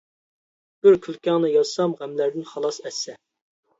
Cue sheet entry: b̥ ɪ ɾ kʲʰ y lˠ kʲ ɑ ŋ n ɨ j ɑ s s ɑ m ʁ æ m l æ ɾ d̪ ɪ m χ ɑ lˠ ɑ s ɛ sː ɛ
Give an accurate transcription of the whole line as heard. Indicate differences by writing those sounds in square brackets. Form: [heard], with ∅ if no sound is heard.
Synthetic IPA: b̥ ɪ ɾ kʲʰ y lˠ kʲ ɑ ŋ n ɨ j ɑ [z] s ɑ m ʁ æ m l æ ɾ d̪ ɪ [n] χ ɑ lˠ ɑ s ɛ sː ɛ